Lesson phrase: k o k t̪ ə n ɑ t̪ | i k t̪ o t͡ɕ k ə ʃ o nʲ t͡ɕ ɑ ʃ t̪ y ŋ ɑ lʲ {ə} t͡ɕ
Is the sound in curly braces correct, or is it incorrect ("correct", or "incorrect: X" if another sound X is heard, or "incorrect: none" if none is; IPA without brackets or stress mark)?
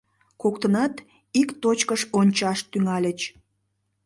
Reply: correct